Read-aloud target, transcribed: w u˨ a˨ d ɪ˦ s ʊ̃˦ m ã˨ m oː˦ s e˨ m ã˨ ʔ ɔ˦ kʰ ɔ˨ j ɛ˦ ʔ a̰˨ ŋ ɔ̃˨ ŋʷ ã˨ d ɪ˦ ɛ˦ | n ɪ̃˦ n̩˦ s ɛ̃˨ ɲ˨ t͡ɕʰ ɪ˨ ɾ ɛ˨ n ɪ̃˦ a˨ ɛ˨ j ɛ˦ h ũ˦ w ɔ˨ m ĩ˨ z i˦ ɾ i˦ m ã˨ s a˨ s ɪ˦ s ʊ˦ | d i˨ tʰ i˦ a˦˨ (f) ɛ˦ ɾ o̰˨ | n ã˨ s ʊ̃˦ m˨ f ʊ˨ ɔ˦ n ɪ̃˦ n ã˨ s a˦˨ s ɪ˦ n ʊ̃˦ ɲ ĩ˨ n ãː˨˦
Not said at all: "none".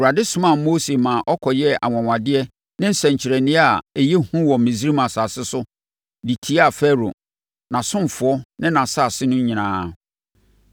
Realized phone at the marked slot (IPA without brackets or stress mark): f